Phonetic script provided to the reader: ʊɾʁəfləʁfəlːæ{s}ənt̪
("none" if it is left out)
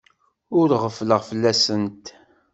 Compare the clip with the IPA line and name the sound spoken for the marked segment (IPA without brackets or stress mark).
s